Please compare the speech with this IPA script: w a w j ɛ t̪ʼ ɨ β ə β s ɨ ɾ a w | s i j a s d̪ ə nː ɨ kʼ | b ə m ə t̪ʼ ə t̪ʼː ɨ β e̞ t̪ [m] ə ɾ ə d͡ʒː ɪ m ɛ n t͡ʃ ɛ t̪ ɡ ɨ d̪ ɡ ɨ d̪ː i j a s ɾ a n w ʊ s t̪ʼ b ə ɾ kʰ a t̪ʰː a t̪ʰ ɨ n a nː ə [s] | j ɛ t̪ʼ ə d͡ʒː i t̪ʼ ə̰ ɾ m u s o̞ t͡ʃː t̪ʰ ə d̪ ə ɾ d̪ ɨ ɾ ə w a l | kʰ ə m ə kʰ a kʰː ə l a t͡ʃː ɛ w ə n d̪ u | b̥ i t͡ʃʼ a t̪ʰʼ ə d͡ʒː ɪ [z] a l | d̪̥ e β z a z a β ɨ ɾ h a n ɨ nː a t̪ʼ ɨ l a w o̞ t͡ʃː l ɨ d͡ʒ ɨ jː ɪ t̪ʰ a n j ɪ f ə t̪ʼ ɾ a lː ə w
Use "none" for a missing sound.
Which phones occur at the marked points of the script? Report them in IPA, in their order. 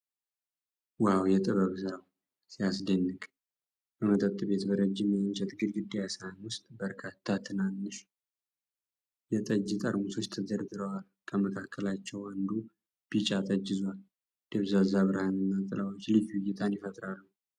b, ʃ, z

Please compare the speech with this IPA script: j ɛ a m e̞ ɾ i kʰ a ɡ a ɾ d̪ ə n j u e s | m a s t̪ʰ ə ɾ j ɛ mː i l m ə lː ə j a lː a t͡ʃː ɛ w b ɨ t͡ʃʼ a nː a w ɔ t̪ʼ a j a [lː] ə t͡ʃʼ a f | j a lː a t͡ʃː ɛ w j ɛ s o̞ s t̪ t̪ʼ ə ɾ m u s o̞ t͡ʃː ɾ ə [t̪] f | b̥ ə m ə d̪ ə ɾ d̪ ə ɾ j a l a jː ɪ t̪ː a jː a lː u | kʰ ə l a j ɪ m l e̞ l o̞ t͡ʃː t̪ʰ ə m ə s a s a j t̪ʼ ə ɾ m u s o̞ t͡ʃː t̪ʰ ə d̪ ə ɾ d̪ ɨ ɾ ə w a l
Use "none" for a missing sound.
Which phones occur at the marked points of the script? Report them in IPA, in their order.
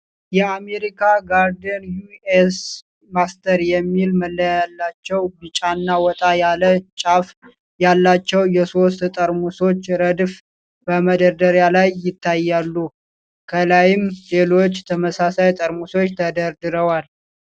l, d̪

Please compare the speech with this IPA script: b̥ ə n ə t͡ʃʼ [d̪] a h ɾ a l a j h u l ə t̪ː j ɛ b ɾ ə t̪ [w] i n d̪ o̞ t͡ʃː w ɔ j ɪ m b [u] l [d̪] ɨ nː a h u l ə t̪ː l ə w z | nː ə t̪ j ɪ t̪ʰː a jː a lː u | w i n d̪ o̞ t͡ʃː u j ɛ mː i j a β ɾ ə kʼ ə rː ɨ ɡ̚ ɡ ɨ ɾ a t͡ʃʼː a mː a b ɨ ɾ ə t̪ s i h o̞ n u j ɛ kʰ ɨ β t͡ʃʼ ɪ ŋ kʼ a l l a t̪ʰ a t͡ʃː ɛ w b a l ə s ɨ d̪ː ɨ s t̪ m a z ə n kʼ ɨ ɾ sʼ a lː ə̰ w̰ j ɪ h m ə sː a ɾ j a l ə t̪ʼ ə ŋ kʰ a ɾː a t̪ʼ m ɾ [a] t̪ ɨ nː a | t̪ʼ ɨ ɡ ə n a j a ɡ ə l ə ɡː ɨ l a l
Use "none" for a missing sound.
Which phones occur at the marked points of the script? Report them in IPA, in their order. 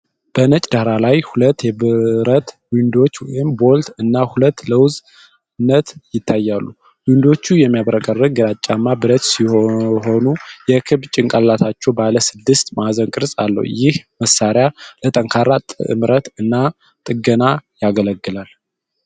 d̪, w, o, t̪, ə

